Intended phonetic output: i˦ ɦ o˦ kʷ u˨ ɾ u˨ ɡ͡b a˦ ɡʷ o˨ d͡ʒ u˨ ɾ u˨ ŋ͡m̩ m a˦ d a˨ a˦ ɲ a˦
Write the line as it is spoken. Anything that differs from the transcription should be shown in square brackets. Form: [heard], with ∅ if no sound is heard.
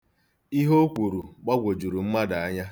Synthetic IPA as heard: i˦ ɦ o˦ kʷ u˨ ɾ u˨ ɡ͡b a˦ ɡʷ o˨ d͡ʒ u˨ ɾ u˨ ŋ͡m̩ m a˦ d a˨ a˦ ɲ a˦